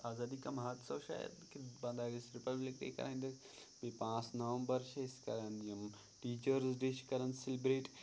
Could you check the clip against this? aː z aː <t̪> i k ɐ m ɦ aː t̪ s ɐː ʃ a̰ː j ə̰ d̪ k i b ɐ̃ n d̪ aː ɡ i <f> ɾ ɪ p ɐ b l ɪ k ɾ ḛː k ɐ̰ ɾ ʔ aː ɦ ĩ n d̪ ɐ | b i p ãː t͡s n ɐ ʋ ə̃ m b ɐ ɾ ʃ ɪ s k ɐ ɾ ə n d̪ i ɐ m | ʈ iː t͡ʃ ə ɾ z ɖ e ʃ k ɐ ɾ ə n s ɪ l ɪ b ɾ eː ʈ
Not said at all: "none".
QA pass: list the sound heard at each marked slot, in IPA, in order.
d̪, s

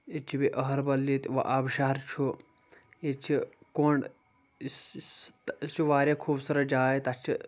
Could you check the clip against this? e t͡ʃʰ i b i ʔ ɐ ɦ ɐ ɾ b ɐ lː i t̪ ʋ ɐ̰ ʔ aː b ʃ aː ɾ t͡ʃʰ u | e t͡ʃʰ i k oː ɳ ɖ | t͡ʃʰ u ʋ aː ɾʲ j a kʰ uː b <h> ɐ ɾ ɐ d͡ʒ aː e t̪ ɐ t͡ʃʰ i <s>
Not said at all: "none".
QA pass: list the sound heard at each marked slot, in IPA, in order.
s, none

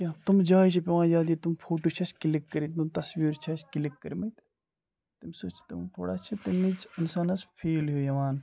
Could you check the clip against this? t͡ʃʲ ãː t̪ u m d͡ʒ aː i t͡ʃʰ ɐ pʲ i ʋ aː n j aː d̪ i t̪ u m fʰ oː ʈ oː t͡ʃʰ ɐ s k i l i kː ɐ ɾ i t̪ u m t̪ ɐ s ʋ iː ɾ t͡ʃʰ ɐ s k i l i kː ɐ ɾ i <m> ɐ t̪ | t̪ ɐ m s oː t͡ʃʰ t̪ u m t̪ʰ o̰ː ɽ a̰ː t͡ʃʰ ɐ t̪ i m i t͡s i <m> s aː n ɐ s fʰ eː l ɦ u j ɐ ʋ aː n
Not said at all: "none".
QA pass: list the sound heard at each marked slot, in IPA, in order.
m, n

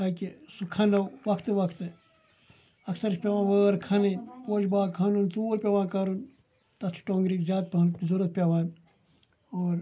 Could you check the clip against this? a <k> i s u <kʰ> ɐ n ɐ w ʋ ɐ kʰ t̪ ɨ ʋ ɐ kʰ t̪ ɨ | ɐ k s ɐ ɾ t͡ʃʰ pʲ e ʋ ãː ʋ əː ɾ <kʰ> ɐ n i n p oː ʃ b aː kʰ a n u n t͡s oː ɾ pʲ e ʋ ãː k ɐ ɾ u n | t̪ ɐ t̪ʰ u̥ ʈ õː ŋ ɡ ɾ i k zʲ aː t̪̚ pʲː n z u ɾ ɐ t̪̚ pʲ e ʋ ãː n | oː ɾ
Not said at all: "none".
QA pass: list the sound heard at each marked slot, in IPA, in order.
k, kʰ, kʰ

